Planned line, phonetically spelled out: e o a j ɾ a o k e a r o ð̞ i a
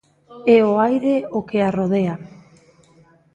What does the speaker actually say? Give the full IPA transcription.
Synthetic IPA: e o a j ɾ e o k e a r o ð̞ e a